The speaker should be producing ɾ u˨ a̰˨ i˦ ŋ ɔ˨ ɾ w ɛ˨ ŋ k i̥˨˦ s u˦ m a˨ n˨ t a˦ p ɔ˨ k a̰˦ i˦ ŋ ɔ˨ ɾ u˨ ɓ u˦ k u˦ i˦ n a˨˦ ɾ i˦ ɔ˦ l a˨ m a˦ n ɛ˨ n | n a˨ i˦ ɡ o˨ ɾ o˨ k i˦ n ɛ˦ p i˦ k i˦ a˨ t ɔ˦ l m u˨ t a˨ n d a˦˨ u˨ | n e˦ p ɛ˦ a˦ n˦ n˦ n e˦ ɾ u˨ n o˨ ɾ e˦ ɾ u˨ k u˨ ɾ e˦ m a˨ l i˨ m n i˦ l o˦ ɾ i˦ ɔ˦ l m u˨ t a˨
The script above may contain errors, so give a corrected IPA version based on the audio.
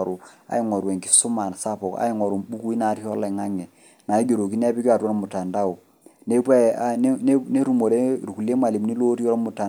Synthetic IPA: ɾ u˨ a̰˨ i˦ ŋ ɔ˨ ɾ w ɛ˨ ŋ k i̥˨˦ s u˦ m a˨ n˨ s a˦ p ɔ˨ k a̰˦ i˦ ŋ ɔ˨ ɾ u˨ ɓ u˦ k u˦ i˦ n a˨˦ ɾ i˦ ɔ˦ l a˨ ŋ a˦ ŋ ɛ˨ | n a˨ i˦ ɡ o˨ ɾ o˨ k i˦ n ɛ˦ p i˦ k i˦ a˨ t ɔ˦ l m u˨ t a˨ n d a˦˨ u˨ | n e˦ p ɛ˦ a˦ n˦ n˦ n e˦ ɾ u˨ m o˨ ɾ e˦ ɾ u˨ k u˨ l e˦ m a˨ l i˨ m n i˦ l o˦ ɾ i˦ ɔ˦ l m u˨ t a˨